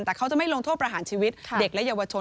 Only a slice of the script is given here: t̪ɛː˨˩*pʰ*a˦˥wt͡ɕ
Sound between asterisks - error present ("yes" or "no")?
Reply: yes